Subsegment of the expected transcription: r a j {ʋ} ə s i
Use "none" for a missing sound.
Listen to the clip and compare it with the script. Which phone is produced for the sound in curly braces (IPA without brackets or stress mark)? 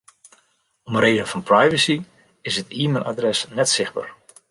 v